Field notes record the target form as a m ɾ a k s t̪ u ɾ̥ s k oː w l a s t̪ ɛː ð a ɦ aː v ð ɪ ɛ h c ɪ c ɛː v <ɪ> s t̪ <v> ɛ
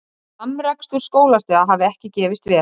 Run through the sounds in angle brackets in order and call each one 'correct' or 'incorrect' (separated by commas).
correct, correct